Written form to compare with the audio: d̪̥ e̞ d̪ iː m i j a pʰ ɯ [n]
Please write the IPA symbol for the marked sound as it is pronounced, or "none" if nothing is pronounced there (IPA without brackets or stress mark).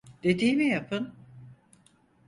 n